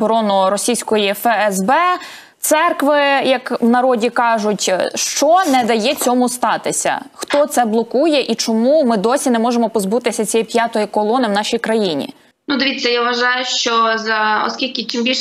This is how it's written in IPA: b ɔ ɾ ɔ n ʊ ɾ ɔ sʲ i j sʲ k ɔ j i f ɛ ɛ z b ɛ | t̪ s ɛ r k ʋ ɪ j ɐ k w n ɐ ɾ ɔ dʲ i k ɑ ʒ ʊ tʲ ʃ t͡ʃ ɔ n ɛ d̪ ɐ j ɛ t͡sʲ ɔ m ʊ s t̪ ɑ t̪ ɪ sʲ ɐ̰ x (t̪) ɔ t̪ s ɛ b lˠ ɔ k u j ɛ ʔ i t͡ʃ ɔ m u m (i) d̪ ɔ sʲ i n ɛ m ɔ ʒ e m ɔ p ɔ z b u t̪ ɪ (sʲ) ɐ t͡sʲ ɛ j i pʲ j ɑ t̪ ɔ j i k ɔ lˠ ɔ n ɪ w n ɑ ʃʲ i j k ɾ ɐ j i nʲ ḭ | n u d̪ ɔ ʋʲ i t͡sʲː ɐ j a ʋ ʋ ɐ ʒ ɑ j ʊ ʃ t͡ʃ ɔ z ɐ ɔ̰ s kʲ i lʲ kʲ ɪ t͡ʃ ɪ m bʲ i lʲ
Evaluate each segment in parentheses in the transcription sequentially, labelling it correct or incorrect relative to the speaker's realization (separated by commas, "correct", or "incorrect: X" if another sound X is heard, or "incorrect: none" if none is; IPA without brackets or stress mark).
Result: correct, incorrect: ɪ, correct